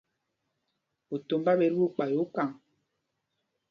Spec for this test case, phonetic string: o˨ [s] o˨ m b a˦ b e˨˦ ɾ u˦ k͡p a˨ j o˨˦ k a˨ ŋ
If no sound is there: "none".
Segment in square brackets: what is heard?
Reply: t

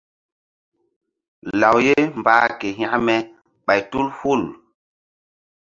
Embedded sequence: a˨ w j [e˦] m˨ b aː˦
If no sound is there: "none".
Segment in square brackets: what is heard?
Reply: e˦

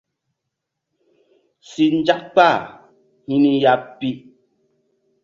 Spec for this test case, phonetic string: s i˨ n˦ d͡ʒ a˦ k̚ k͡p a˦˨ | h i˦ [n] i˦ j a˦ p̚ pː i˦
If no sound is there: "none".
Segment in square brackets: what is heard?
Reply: n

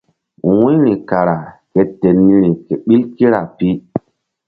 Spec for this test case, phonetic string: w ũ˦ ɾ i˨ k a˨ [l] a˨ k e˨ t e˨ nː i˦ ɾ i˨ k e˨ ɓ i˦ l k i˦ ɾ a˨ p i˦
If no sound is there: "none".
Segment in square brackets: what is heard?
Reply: ɾ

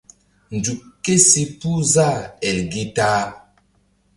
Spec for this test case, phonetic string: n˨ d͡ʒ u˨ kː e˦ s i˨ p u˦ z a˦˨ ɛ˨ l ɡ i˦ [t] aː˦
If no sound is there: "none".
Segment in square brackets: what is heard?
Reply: t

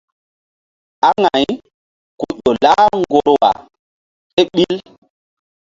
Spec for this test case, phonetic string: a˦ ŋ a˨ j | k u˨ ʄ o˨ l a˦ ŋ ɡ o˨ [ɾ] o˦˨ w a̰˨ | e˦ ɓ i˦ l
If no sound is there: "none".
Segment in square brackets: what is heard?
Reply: ɾ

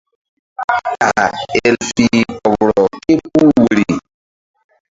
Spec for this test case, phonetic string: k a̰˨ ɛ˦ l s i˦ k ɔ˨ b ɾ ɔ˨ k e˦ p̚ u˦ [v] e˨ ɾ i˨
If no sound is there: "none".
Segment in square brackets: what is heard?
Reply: w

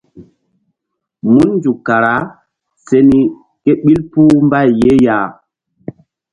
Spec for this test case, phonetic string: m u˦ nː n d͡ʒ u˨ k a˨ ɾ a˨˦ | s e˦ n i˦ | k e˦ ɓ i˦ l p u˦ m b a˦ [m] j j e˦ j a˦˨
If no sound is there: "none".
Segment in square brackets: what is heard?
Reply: none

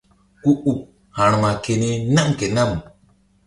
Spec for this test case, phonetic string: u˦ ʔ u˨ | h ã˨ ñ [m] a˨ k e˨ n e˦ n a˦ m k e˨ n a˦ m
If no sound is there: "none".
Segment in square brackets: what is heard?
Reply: m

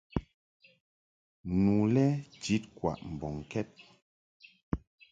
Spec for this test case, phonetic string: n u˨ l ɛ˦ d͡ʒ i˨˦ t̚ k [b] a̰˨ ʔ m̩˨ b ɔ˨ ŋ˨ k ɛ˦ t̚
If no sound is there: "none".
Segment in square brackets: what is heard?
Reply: w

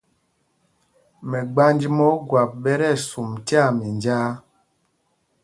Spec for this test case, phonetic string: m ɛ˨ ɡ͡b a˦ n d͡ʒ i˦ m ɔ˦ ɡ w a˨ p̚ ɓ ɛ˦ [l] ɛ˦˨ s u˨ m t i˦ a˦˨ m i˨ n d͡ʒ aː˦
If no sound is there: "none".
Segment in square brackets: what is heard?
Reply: ɾ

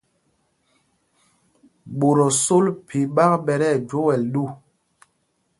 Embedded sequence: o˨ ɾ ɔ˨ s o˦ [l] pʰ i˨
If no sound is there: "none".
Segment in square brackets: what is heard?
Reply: l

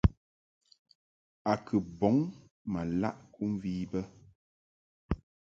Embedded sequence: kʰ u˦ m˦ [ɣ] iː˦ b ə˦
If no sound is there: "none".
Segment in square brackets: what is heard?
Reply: v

